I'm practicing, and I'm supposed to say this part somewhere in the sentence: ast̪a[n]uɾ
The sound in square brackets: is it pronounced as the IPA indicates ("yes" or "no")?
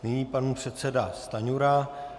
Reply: no